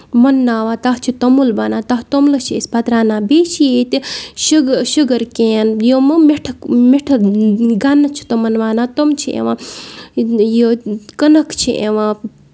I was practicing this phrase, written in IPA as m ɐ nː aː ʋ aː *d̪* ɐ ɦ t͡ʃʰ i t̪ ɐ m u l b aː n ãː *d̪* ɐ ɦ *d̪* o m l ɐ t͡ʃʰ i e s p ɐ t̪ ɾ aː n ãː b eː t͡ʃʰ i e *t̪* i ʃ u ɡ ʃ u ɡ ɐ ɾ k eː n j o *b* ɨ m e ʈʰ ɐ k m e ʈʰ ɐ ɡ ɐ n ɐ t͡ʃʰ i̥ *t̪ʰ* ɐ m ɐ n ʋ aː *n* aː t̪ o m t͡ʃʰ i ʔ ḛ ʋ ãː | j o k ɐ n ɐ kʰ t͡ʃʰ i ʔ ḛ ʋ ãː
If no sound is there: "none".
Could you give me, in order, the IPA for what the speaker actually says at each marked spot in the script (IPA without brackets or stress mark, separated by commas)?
t̪, t̪, t̪, t̪, m, t̪, n